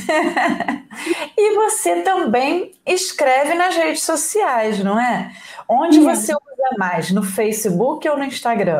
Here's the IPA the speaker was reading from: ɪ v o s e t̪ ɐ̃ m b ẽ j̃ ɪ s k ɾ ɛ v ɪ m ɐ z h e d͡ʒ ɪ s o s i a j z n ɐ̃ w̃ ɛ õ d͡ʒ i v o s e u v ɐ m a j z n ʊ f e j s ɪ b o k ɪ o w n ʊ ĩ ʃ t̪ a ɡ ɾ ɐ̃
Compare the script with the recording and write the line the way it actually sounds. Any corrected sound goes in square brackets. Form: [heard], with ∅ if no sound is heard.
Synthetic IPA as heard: ɪ v o s e t̪ ɐ̃ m b ẽ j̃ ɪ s k ɾ ɛ v ɪ [n] ɐ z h e d͡ʒ ɪ s o s i a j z n ɐ̃ w̃ ɛ õ d͡ʒ [ɪ] v o s e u [z] ɐ m a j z n ʊ f e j s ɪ b [u] k ɪ o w n ʊ ĩ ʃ t̪ a ɡ ɾ ɐ̃